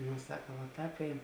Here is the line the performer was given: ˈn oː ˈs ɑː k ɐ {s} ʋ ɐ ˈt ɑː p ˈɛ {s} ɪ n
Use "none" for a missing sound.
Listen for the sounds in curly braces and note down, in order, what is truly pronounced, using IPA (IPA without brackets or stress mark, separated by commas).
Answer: none, none